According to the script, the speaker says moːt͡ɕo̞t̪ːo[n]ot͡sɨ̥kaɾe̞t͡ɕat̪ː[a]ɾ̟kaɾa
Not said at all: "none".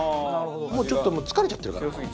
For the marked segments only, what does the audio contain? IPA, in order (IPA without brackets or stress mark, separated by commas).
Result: m, e